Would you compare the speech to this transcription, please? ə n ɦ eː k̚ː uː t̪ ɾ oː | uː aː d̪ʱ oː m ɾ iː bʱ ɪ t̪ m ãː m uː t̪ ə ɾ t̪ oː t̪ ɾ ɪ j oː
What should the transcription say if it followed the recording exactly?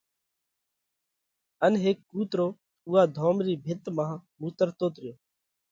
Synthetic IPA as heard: ə n ɦ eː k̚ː uː t̪ ɾ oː | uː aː d̪ʱ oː m ɾ iː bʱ ɪ t̪ m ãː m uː t̪ ə ɾ t̪ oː t̪ ɾ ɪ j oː